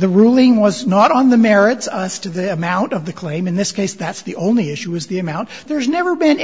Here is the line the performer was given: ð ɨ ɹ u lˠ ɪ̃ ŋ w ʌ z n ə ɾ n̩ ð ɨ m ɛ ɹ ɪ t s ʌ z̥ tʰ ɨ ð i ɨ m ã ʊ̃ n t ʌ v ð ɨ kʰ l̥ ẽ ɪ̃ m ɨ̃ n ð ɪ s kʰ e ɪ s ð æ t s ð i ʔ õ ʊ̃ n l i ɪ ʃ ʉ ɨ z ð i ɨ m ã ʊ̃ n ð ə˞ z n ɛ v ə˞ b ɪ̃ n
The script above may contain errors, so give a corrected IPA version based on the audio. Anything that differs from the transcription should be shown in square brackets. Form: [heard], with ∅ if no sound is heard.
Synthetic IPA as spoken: ð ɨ ɹ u lˠ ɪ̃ ŋ w ʌ z n ə ɾ n̩ ð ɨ m ɛ ɹ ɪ t s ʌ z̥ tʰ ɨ ð i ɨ m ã ʊ̃ n t ʌ v ð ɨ kʰ l̥ ẽ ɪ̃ m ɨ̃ n ð ɪ s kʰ e ɪ s ð æ t s ð i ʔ õ ʊ̃ n l i ɪ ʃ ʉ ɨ z ð i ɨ m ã ʊ̃ n ð ə˞ z n ɛ v ə˞ b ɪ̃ n